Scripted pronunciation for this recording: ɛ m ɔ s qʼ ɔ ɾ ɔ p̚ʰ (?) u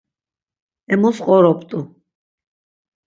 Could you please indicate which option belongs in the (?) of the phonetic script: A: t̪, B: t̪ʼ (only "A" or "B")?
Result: B